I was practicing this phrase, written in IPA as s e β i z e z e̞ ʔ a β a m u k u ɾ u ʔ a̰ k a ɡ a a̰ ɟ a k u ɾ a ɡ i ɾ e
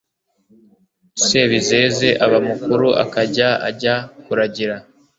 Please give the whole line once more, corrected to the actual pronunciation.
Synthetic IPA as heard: s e β i z e z e̞ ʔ a β a m u k u ɾ u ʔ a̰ k a ɟ a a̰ ɟ a k u ɾ a ɟ i ɾ a